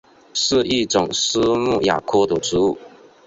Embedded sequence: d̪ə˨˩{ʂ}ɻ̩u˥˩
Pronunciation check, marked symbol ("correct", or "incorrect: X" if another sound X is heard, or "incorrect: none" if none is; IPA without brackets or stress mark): incorrect: ʈ͡ʂ